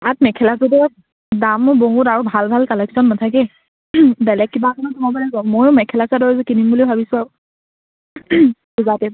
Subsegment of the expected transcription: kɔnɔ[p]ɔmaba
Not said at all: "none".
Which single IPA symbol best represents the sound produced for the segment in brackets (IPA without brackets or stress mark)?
t